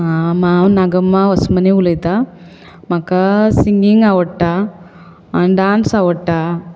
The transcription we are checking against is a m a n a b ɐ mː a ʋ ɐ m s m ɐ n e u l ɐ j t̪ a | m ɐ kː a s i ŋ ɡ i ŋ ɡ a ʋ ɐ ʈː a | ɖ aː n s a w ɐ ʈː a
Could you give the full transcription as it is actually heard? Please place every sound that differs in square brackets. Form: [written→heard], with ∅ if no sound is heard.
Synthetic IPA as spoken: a m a n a [b→ɡ] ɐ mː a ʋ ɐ [m→∅] s m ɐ n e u l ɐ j t̪ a | m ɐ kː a s i ŋ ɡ i ŋ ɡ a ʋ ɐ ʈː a | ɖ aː n s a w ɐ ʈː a